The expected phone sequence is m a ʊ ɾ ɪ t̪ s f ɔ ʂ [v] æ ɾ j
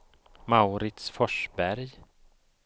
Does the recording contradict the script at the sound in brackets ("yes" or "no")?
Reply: yes